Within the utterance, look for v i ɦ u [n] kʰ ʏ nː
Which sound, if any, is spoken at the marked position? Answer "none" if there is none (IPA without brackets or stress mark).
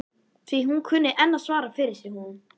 n